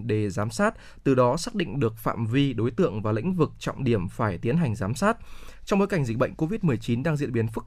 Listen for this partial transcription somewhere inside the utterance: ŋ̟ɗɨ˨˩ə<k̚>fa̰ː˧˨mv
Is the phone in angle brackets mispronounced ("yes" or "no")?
no